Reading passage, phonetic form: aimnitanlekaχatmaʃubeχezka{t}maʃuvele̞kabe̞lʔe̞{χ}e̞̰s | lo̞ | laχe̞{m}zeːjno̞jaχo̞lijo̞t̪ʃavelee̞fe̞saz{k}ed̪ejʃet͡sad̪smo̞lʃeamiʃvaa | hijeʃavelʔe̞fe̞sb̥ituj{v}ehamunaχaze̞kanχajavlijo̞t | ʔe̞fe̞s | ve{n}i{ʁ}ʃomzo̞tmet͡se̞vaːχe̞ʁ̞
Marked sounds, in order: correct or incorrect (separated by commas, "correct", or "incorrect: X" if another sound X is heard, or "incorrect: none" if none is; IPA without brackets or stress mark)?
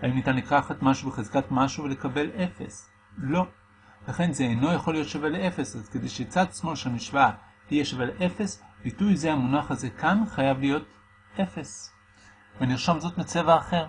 correct, incorrect: f, incorrect: n, correct, incorrect: z, correct, correct